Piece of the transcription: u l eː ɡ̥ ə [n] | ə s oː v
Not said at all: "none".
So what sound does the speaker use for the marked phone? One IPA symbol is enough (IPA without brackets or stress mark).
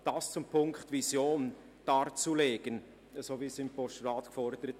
n